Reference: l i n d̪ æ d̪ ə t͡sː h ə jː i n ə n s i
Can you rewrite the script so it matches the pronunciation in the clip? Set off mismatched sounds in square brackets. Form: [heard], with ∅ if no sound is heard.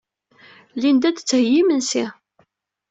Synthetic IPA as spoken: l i n d̪ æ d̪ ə t͡sː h ə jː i [m] ə n s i